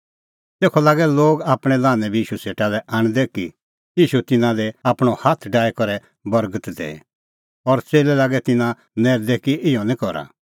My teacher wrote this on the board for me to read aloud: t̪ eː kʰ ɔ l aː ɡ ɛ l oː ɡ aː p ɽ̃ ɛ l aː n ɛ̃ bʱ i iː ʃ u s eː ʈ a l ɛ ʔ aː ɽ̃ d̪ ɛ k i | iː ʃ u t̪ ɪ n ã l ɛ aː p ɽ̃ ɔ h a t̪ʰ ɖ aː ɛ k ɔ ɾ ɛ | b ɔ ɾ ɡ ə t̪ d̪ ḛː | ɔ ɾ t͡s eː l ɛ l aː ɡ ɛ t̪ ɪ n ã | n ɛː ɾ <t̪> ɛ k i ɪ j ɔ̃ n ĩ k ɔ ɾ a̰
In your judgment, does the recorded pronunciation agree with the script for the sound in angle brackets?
no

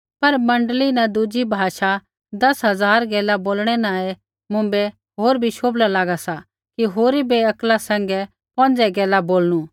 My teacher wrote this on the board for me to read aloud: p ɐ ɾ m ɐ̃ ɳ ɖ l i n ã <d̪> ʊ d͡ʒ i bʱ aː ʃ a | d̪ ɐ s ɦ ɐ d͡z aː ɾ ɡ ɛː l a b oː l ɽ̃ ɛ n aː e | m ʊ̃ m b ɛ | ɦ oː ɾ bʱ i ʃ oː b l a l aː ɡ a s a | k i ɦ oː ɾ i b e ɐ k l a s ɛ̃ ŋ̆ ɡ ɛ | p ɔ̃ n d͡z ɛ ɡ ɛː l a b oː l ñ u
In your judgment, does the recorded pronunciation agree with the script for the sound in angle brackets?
yes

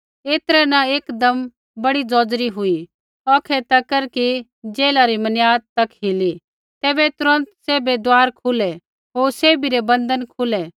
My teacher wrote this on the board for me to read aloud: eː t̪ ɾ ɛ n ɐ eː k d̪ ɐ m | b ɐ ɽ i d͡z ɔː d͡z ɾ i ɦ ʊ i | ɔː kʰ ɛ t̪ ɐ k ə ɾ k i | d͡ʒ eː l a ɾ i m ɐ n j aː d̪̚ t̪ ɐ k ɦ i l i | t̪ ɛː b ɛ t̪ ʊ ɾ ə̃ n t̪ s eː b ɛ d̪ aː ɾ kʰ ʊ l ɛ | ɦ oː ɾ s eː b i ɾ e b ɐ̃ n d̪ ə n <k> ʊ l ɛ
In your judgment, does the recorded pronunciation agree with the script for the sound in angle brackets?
no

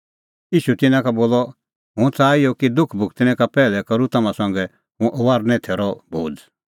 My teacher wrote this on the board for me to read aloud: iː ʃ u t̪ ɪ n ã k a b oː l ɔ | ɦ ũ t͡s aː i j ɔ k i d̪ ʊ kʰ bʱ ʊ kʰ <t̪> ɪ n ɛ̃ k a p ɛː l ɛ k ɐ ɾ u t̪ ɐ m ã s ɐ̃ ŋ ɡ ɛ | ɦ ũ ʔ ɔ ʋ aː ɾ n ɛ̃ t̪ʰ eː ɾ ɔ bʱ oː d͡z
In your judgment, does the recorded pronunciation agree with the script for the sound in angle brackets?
yes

